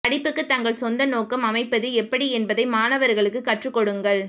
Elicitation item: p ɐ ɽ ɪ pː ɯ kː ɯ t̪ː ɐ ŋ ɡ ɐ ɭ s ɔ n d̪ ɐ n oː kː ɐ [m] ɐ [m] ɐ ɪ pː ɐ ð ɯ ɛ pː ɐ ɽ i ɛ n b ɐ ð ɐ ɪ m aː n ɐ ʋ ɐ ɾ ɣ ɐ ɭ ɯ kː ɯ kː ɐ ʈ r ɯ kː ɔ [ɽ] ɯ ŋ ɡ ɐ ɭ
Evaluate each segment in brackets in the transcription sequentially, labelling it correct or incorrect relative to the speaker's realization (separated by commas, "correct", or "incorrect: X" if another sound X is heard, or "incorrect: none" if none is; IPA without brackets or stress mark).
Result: correct, correct, correct